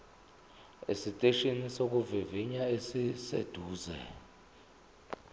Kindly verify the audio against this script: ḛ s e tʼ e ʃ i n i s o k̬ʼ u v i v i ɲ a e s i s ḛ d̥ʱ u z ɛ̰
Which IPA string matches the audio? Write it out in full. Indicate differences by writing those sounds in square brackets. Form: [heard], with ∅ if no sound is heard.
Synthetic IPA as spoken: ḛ s [i] tʼ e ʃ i n i s o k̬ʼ u v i v i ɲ a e s i s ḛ d̥ʱ [uː] z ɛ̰